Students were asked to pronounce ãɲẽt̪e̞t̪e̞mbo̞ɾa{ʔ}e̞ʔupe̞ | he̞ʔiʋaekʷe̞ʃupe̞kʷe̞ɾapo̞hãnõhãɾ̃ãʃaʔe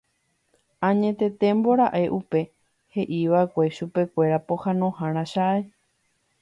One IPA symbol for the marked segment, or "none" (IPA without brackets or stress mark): ʔ